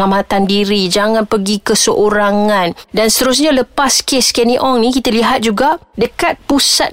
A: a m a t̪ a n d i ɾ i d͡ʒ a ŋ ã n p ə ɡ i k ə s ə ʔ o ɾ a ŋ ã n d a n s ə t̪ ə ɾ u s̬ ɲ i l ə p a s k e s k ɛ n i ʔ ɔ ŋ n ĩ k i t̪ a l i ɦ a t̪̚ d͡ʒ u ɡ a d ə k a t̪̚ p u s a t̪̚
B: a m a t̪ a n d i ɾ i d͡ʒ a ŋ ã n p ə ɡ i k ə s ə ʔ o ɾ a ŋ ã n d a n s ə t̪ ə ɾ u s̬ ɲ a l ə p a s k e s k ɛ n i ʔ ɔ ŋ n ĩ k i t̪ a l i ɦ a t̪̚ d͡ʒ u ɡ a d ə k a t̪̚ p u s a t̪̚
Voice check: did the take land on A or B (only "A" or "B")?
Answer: B